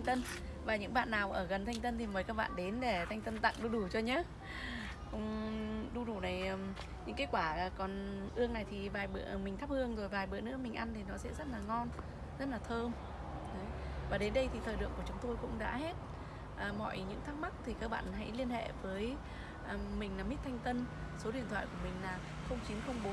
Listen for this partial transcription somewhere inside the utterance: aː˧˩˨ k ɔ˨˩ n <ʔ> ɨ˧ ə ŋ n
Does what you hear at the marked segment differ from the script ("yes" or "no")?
no